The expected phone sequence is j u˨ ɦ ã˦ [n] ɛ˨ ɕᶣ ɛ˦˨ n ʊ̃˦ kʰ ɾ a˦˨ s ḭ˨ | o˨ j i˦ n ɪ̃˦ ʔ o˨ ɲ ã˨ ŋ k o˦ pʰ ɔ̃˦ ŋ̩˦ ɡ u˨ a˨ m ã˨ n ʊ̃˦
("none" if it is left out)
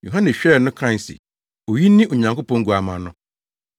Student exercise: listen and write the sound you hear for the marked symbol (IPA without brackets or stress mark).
n